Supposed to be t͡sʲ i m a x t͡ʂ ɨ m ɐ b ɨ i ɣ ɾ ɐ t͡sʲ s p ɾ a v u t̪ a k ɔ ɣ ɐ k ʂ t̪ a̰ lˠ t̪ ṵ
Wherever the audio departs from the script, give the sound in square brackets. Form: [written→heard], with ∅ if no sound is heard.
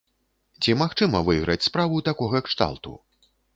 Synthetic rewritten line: t͡sʲ i m a x t͡ʂ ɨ m ɐ [b→v] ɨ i ɣ ɾ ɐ t͡sʲ s p ɾ a v u t̪ a k ɔ ɣ ɐ k ʂ t̪ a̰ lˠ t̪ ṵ